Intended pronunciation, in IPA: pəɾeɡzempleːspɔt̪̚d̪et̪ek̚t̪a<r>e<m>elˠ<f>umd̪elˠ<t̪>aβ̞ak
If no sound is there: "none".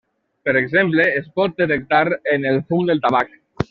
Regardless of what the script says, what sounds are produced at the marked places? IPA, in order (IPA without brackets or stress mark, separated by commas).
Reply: ɾ, n, f, t̪